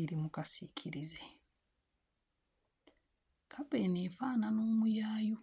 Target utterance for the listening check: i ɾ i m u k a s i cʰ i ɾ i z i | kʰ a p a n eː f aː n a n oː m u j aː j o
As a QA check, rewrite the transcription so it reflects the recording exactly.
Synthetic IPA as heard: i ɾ i m u k a s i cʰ i ɾ i z e | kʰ a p e n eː f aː n a n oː m u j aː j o